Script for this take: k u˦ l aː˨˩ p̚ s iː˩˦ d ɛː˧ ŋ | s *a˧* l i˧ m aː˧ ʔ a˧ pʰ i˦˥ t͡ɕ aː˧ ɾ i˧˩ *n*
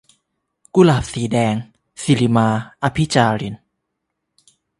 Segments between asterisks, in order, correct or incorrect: incorrect, correct

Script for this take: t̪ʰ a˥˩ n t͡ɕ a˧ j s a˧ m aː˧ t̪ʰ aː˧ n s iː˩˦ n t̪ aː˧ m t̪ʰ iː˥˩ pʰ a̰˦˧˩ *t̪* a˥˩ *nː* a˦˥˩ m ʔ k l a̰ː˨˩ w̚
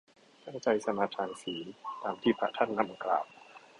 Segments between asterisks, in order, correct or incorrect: incorrect, correct

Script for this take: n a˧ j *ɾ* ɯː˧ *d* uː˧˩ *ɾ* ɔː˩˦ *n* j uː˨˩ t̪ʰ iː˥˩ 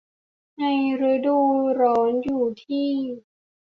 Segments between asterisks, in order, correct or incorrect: correct, correct, correct, correct

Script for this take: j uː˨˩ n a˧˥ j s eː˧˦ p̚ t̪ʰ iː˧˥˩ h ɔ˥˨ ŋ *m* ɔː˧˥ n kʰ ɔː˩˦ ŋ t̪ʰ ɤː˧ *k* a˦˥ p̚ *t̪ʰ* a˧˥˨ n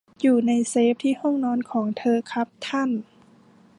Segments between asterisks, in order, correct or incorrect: incorrect, incorrect, correct

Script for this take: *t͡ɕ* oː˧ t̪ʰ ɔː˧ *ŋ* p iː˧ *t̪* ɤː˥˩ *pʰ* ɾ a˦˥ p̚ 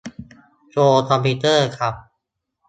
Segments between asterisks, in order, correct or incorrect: correct, incorrect, correct, incorrect

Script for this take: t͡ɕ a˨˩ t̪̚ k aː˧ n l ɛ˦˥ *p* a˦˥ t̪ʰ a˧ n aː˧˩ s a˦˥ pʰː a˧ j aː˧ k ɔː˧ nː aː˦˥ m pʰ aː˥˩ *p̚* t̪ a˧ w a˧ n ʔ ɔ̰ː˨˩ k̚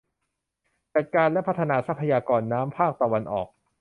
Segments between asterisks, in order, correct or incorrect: incorrect, incorrect

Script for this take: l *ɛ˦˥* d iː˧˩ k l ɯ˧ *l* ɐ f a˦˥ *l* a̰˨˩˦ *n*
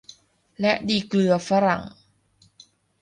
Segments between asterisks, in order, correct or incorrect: correct, incorrect, incorrect, incorrect

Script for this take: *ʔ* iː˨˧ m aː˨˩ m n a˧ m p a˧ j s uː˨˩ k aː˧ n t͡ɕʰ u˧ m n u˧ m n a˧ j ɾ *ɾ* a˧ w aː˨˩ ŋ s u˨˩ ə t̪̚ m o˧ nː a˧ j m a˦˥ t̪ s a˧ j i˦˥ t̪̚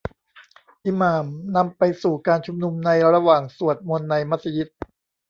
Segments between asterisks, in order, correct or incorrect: correct, correct

